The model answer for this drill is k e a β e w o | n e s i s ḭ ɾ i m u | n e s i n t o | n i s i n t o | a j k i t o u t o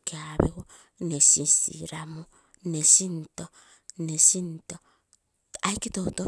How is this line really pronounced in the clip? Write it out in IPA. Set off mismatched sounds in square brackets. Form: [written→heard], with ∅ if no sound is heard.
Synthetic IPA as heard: k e a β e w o | n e s i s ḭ ɾ [i→a] m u | n e s i n t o | n [i→e] s i n t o | a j k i t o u t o